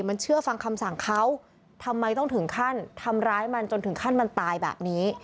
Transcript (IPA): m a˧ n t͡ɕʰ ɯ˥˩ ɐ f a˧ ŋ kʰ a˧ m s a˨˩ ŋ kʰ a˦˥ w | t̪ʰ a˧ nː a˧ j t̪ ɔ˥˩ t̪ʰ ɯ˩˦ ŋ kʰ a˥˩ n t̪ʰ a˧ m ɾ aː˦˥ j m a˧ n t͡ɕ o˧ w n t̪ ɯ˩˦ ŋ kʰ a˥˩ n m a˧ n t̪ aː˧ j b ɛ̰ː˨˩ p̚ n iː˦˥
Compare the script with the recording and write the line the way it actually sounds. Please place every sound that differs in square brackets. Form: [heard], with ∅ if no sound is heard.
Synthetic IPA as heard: m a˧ n t͡ɕʰ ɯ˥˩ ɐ f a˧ ŋ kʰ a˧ m s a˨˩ ŋ kʰ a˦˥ w | t̪ʰ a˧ [mː] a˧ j t̪ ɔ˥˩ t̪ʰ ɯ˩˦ ŋ kʰ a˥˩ n t̪ʰ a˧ m ɾ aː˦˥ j m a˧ n t͡ɕ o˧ [∅] n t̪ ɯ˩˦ ŋ kʰ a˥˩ n m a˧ n t̪ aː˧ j b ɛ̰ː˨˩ p̚ n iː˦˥